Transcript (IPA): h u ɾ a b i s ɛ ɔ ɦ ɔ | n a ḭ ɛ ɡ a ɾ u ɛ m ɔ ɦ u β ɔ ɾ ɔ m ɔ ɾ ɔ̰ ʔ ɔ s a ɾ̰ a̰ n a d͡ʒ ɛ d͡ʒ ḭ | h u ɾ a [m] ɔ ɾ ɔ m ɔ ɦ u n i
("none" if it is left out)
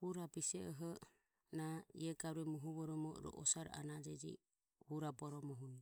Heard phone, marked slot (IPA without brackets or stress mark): b